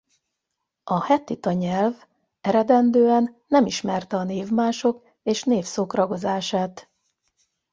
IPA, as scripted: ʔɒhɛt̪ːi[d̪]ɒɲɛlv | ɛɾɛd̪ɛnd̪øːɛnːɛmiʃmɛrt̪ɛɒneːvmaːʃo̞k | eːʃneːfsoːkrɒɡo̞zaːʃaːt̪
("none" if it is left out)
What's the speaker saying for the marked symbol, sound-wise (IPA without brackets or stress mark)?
t̪